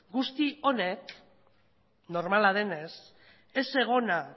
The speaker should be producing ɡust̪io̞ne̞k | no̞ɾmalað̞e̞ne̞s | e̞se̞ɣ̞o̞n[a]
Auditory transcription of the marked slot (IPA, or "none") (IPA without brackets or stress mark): a